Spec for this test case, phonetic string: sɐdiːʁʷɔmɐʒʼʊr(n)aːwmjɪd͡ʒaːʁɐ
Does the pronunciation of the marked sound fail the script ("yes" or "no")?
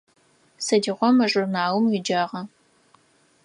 no